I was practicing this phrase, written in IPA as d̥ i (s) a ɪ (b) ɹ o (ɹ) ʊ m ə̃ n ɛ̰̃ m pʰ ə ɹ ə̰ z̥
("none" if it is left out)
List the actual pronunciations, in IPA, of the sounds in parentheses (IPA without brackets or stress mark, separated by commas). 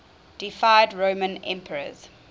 f, d, none